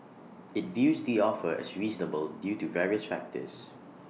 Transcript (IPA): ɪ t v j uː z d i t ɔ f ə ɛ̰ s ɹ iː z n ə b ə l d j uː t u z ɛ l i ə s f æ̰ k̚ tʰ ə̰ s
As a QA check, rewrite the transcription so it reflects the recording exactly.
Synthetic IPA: ɪ t v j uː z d i ɔ f ə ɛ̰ s ɹ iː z n ə b ə l d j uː t u v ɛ ɹ i ə s f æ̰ k̚ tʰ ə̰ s